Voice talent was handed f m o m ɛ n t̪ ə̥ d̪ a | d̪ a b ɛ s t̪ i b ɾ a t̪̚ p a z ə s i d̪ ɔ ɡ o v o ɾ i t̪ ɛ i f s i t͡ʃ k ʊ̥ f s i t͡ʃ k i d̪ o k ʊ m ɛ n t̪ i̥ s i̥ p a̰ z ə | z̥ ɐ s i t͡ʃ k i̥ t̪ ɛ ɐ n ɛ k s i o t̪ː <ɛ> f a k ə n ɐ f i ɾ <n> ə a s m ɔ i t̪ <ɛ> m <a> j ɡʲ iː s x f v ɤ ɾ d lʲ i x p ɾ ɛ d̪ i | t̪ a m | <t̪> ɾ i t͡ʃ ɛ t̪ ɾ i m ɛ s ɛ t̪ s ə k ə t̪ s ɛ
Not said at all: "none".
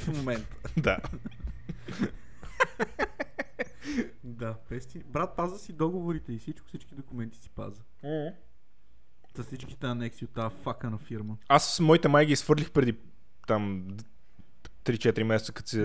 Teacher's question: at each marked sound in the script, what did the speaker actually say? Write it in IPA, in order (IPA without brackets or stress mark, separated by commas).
a, m, ɛ, a, t̪